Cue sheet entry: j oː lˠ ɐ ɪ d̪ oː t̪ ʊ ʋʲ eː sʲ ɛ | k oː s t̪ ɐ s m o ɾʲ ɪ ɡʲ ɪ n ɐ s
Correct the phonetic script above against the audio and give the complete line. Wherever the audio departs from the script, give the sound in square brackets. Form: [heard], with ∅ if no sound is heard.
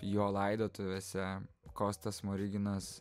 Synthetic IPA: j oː lˠ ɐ ɪ d̪ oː t̪ ʊ ʋʲ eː sʲ ɛ | k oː s t̪ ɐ s m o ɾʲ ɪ ɡʲ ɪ n ɐ s